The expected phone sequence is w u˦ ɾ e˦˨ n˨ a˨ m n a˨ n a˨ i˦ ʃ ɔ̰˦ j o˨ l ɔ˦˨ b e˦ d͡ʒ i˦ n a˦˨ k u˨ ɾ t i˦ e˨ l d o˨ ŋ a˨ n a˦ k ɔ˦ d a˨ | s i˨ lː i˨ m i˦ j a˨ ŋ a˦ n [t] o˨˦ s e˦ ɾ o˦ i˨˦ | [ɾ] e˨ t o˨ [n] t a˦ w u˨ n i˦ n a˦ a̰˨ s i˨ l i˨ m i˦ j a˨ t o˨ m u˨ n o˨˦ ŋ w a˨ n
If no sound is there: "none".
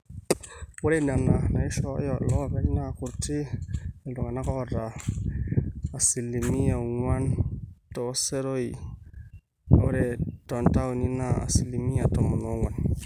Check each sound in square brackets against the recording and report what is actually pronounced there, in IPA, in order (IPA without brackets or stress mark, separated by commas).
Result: t, ɾ, n